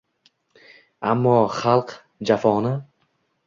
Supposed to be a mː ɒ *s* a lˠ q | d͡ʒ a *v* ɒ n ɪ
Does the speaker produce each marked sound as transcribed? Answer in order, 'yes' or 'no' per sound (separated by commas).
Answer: no, no